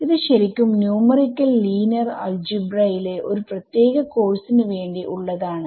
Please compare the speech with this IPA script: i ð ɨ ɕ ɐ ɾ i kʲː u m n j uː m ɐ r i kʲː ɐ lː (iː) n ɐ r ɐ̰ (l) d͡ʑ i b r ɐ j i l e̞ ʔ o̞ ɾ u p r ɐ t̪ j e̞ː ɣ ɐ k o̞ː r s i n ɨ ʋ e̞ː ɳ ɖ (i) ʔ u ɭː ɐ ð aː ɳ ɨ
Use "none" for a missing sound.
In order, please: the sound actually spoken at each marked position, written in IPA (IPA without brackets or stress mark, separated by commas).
iː, l, i